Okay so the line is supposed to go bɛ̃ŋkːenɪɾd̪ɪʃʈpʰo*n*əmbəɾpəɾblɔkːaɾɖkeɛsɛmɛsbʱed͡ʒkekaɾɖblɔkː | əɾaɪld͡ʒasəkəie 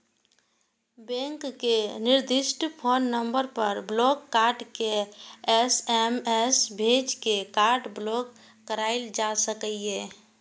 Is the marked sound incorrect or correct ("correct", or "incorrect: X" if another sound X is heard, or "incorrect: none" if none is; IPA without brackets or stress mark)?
incorrect: nː